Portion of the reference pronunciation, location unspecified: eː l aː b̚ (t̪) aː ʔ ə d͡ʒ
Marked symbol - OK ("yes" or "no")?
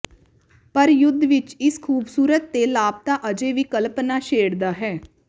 yes